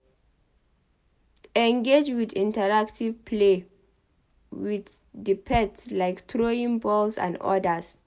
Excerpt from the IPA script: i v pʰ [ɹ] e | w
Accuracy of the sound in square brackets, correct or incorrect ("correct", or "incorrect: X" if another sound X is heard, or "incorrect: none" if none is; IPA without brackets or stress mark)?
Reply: incorrect: l